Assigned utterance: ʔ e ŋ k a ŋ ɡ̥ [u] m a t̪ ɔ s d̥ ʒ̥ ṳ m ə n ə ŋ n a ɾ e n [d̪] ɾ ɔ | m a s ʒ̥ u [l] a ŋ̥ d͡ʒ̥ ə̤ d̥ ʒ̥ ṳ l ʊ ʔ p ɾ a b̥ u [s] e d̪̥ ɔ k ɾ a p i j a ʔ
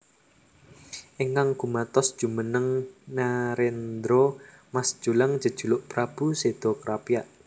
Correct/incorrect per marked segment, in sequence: correct, correct, correct, correct

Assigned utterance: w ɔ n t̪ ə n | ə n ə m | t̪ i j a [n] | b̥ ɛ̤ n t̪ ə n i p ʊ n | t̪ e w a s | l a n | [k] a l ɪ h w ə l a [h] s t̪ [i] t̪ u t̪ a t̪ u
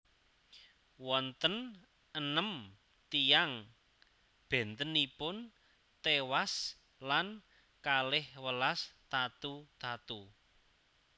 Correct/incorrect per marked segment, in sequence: incorrect: ŋ, correct, incorrect: none, incorrect: a

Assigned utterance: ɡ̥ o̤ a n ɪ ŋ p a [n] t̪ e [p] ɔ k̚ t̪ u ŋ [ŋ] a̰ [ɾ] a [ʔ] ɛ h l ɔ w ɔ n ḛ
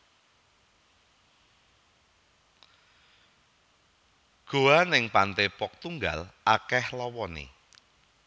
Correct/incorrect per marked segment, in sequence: correct, correct, incorrect: ɡ, incorrect: l, incorrect: k

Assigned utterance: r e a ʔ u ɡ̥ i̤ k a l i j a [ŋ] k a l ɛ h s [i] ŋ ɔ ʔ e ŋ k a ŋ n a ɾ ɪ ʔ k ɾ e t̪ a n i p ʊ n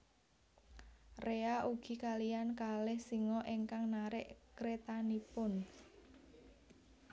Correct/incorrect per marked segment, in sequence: incorrect: n, correct

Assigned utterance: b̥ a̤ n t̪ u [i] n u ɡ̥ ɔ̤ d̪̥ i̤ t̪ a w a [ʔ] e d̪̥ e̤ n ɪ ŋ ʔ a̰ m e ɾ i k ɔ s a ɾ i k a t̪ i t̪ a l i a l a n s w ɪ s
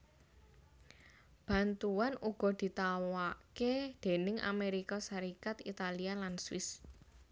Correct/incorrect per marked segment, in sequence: incorrect: a, incorrect: k

